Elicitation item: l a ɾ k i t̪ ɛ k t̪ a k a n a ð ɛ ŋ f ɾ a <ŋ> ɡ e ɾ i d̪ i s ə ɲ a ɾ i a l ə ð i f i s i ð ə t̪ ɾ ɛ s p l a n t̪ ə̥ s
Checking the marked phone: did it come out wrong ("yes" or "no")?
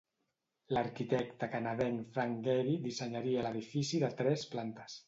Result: no